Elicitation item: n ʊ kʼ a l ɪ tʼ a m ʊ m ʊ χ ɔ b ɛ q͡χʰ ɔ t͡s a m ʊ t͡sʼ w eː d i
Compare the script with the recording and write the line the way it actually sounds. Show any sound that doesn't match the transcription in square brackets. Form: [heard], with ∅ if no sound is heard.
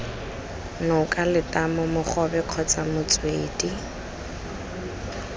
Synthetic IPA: n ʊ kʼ a l ɪ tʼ a m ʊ m ʊ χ ɔ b ɛ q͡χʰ ɔ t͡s a m ʊ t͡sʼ w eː d i

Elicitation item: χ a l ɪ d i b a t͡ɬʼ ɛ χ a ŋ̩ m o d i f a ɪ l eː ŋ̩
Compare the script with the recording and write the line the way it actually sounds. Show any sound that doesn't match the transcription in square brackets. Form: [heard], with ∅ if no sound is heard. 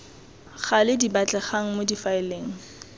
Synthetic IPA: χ a l ɪ d i b a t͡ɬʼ ɛ χ a ŋ̩ m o d i f a ɪ l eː ŋ̩

